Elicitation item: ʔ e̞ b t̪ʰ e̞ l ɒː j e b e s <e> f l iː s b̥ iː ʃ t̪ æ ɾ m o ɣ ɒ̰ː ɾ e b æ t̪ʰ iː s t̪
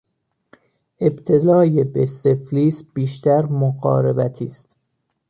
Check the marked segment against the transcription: correct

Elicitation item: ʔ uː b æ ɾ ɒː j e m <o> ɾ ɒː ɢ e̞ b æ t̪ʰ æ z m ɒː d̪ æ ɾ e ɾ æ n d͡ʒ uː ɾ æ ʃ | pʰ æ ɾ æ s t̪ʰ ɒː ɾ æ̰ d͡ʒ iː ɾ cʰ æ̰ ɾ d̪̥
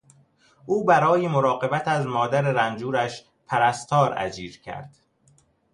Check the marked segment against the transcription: correct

